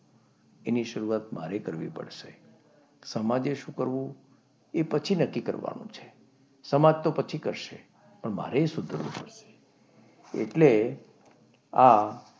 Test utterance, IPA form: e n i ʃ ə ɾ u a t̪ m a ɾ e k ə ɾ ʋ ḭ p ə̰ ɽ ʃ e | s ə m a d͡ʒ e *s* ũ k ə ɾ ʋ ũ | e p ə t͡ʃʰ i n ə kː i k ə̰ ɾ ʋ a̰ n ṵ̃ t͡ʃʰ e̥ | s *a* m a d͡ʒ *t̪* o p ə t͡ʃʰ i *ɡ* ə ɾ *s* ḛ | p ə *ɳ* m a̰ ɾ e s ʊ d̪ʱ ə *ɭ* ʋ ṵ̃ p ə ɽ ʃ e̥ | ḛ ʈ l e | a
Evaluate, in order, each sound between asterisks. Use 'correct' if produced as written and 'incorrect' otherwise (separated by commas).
incorrect, incorrect, correct, incorrect, incorrect, correct, incorrect